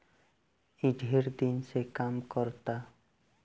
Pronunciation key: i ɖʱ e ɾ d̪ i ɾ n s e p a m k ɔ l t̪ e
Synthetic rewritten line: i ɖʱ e ɾ d̪ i n s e k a m k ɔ ɾ t̪ a